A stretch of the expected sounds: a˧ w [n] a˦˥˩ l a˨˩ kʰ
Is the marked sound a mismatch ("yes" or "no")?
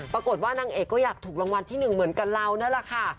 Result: no